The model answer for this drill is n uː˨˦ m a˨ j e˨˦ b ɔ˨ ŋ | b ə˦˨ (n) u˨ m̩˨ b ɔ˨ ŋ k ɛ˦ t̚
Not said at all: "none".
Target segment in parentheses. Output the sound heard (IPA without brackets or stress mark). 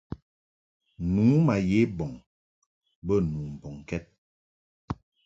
n